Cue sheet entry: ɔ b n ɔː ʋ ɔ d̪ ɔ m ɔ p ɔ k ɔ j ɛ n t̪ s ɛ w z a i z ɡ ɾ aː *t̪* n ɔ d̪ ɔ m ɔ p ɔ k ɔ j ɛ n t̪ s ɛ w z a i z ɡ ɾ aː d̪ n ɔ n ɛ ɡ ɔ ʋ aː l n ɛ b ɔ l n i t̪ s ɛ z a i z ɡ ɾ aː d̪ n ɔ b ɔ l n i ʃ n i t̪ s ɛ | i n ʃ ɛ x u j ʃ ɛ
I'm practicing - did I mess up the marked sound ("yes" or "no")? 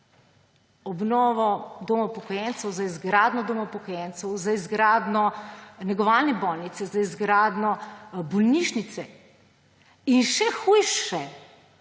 yes